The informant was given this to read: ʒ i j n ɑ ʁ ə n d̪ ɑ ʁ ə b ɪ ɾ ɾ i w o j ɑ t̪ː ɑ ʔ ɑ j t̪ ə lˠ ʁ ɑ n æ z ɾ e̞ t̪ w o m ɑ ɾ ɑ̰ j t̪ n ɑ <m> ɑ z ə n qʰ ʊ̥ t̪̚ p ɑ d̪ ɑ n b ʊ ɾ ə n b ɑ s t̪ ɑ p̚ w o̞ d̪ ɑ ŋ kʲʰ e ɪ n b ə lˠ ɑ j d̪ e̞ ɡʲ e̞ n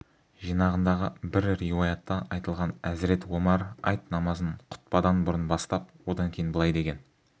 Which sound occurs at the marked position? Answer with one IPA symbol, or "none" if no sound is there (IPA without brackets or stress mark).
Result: m